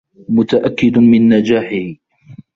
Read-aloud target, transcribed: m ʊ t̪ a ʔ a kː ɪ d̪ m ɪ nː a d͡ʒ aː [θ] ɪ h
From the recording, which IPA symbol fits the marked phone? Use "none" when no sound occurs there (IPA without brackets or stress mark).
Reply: ħ